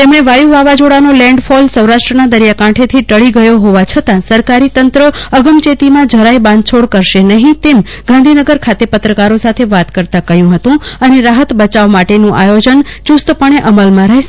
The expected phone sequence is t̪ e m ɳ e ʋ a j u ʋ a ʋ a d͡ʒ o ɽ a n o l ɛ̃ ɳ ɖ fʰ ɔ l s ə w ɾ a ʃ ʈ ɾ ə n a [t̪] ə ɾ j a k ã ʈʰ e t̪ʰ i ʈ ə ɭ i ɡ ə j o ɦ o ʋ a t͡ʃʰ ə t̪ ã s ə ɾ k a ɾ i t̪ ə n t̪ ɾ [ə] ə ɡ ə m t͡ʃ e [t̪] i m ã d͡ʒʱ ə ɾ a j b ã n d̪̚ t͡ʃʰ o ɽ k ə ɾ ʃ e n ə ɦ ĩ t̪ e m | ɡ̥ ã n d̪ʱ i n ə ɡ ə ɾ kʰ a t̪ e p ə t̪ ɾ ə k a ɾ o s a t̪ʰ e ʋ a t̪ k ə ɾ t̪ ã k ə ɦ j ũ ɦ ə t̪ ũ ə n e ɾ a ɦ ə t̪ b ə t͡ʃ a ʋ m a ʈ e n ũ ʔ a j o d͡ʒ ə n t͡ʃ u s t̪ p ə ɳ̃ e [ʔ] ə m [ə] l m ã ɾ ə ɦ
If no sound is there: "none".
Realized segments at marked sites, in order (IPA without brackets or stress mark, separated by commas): d̪, ə, t̪, ʔ, ə